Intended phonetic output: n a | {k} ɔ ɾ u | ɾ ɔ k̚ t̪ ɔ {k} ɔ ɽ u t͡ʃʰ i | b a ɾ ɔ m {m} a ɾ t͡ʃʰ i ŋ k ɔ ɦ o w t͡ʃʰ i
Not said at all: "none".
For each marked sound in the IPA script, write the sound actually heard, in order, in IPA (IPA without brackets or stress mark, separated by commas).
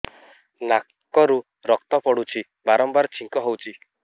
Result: k, p, b